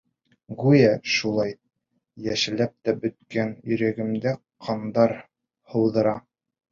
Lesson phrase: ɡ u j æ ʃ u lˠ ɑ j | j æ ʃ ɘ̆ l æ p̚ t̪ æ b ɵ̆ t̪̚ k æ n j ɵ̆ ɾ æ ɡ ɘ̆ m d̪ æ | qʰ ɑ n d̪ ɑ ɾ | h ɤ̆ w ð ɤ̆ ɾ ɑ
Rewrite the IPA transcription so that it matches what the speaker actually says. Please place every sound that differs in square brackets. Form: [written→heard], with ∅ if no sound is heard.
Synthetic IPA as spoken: ɡ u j æ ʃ u lˠ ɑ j | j æ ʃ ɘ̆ l æ p̚ t̪ æ b ɵ̆ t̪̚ k æ n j ɵ̆ ɾ æ ɡ ɘ̆ m d̪ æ | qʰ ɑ n d̪ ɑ ɾ | h ɤ̆ w ð ɤ̆ ɾ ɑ

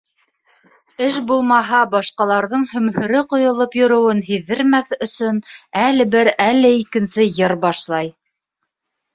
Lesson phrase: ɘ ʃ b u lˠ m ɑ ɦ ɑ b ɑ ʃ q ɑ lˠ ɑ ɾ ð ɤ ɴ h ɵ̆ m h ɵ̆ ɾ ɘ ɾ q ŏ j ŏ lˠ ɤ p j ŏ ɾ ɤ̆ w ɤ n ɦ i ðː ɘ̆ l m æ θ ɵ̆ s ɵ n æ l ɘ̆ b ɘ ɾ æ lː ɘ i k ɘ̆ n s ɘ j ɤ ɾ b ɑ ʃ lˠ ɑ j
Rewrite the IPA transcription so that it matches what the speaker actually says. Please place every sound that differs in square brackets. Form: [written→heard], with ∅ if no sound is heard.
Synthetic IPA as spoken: ɘ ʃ b u lˠ m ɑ ɦ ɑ b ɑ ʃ q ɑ lˠ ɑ ɾ ð ɤ ɴ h ɵ̆ m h ɵ̆ ɾ ɘ [ɾ→∅] q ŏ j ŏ lˠ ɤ p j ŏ ɾ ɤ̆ w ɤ n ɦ i ðː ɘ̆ [l→ɾ] m æ θ ɵ̆ s ɵ n æ l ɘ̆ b ɘ ɾ æ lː ɘ i k ɘ̆ n s ɘ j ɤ ɾ b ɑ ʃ lˠ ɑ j

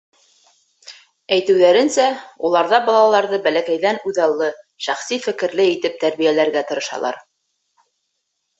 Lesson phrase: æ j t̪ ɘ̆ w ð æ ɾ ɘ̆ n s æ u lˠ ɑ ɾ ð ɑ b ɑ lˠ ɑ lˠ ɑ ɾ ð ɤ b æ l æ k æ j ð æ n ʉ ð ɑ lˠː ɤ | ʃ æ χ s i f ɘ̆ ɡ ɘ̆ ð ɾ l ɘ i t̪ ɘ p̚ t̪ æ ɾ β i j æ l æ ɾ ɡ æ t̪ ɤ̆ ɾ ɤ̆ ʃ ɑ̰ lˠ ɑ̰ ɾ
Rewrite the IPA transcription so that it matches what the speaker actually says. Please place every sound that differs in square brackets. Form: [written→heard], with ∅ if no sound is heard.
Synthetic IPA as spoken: æ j t̪ ɘ̆ w ð æ ɾ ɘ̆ n s æ u lˠ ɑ ɾ ð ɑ b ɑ lˠ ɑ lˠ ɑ ɾ ð ɤ b æ l æ k æ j ð æ n ʉ ð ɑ lˠː ɤ | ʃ æ χ s i f ɘ̆ [ɡ→k] ɘ̆ [ð→∅] ɾ l ɘ i t̪ ɘ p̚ t̪ æ ɾ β i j æ l æ ɾ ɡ æ t̪ ɤ̆ ɾ ɤ̆ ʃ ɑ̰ lˠ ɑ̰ ɾ

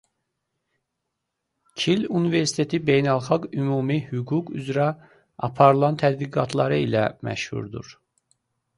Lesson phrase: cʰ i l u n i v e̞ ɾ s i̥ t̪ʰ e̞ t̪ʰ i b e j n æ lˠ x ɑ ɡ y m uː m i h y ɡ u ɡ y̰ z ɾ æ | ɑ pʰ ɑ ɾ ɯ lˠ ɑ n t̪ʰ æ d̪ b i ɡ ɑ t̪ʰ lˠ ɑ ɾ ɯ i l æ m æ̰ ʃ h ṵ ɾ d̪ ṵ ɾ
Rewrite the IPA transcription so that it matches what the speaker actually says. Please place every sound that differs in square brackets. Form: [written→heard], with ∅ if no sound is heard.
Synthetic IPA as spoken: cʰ i l u n i v e̞ ɾ s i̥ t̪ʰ e̞ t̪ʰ i b e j n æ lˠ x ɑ ɡ y m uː m i h y ɡ u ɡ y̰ z ɾ æ | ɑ pʰ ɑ ɾ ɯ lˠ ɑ n t̪ʰ æ d̪ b i ɡ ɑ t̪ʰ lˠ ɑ ɾ ɯ i l æ m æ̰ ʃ h ṵ ɾ d̪ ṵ ɾ

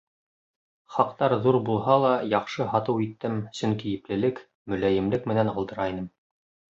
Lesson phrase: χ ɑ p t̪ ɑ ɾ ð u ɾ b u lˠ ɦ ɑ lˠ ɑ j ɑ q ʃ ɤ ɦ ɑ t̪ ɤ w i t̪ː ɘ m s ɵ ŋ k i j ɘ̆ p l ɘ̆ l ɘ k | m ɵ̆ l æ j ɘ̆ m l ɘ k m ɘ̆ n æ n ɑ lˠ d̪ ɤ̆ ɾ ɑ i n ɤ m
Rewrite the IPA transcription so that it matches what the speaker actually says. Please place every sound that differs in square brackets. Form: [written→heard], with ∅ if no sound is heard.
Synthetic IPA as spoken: χ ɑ [p→q] t̪ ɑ ɾ ð u ɾ b u lˠ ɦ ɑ lˠ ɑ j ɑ q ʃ ɤ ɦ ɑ t̪ ɤ w i t̪ː ɘ m s ɵ ŋ k i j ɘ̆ p l ɘ̆ l ɘ k | m ɵ̆ l æ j ɘ̆ m l ɘ k m ɘ̆ n æ n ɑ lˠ d̪ ɤ̆ ɾ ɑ i n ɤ m

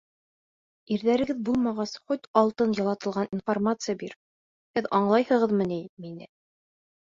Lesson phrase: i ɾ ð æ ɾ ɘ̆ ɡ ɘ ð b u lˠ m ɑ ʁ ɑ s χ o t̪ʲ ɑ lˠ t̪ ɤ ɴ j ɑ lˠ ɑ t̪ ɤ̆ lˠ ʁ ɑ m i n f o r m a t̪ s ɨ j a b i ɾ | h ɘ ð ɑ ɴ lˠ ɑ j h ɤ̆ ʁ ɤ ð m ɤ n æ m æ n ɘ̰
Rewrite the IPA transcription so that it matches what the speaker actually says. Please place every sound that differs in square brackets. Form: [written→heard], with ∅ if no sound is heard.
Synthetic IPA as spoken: i ɾ ð æ ɾ ɘ̆ ɡ ɘ ð b u lˠ m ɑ ʁ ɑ s χ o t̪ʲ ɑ lˠ t̪ ɤ [ɴ→n] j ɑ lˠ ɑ t̪ ɤ̆ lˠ ʁ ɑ [m→n] i n f o r m a t̪ s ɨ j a b i ɾ | h ɘ ð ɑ ɴ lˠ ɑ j h ɤ̆ ʁ ɤ ð m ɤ n [æ→i] m [æ→i] n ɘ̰

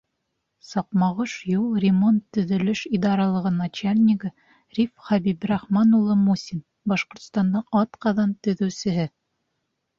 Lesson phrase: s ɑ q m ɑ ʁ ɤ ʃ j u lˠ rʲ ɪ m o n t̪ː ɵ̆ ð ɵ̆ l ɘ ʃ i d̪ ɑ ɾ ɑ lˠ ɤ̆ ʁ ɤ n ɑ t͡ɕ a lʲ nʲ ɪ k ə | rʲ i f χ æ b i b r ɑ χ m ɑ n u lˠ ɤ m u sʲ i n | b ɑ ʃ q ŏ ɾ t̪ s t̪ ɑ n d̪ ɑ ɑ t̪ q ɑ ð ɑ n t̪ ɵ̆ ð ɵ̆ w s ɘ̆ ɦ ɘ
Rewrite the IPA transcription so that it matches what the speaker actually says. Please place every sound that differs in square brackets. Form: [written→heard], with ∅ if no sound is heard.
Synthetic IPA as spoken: s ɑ q m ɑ ʁ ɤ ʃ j u lˠ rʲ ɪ m o n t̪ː ɵ̆ ð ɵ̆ l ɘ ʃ i d̪ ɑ ɾ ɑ lˠ ɤ̆ ʁ ɤ n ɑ t͡ɕ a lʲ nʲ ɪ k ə | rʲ i f χ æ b i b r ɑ χ m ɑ n u lˠ ɤ m u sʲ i n | b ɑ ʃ q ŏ ɾ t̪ s t̪ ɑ n d̪ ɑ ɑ t̪ q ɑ ð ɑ n t̪ ɵ̆ ð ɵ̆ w s ɘ̆ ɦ ɘ

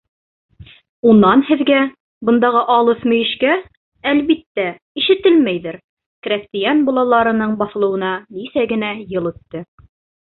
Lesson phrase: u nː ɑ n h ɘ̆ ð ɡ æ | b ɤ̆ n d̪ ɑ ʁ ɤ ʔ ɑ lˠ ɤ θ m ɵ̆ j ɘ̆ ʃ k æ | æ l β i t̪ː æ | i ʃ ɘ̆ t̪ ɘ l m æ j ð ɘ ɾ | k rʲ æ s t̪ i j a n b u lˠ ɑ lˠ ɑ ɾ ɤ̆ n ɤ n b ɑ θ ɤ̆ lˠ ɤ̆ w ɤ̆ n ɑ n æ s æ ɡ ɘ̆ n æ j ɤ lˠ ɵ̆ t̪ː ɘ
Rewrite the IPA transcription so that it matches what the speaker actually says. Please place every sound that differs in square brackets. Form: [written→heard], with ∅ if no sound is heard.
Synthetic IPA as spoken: u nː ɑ n h ɘ̆ ð ɡ æ | b ɤ̆ n d̪ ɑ ʁ ɤ ʔ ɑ lˠ ɤ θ m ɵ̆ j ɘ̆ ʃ k æ | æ l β i t̪ː æ | i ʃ ɘ̆ t̪ ɘ l m æ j ð ɘ ɾ | k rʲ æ s t̪ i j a n b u lˠ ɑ lˠ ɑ ɾ ɤ̆ n ɤ [n→ɴ] b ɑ θ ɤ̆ lˠ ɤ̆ w ɤ̆ n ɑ n [æ→i] s æ ɡ ɘ̆ n æ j ɤ lˠ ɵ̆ t̪ː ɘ

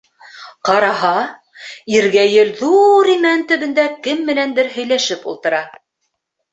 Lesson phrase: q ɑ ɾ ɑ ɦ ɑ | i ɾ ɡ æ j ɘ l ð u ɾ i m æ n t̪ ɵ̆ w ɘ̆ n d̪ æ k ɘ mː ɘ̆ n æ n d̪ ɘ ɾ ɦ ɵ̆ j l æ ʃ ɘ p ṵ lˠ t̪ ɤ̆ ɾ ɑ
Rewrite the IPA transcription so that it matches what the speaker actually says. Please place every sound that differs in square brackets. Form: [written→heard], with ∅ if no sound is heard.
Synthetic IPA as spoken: q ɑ ɾ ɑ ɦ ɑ | i ɾ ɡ æ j ɘ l ð u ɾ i m æ n t̪ ɵ̆ [w→β] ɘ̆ n d̪ æ k ɘ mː ɘ̆ n æ n d̪ ɘ ɾ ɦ ɵ̆ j l æ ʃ ɘ p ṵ lˠ t̪ ɤ̆ ɾ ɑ

